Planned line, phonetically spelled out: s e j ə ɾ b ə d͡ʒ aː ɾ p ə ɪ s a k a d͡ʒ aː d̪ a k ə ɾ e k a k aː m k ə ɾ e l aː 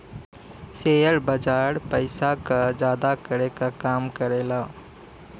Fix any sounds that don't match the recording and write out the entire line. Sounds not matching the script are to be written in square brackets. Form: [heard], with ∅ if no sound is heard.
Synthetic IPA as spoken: s e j ə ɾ b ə d͡ʒ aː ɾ p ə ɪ s a k a d͡ʒ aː d̪ a k ə ɾ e k a k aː m k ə ɾ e l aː